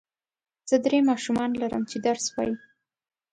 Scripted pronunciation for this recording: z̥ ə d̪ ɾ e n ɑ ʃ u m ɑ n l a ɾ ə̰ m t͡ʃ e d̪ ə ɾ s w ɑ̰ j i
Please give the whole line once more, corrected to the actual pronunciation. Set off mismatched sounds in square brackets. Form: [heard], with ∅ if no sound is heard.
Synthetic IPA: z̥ ə d̪ ɾ e [m] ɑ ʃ u m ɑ n l a ɾ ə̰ m t͡ʃ e d̪ [a] ɾ s w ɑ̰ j i